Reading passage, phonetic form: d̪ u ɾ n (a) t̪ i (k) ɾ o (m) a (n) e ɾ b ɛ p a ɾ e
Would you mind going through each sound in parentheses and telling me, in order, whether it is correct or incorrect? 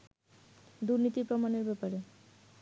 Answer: incorrect: i, incorrect: p, correct, correct

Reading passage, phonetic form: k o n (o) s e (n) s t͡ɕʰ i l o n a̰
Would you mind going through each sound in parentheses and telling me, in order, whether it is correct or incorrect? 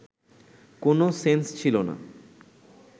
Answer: correct, correct

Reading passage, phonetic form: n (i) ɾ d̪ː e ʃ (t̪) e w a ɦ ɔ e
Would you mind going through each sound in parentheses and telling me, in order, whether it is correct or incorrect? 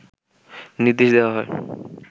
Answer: correct, incorrect: d̪

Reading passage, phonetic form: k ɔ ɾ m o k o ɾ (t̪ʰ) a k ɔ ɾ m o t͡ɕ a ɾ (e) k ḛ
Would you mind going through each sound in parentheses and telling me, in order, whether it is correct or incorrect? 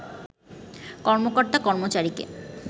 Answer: incorrect: t̪, incorrect: i

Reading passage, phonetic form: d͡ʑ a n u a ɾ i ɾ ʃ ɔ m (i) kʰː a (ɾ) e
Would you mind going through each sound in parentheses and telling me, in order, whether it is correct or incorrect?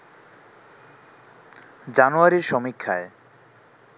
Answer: correct, incorrect: none

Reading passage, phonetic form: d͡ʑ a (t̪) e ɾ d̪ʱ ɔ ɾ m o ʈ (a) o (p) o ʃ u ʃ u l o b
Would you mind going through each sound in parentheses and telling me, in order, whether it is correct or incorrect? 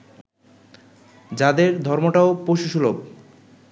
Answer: incorrect: d̪, correct, correct

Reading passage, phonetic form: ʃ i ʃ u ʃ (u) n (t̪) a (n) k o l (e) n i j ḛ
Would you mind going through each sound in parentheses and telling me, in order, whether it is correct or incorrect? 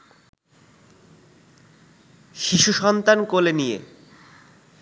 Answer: incorrect: ɔ, correct, correct, correct

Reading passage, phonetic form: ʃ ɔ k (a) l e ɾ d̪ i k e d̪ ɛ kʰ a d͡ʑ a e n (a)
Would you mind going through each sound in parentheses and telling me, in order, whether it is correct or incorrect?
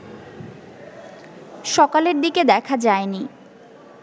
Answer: correct, incorrect: i

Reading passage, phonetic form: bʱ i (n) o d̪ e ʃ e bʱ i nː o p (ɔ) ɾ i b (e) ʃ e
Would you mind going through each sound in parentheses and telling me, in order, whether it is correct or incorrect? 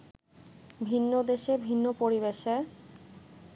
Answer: incorrect: nː, incorrect: o, correct

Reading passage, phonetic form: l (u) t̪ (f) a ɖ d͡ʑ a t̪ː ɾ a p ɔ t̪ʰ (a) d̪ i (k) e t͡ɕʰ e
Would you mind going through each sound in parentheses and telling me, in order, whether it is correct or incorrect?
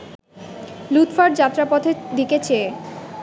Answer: correct, correct, incorrect: e, correct

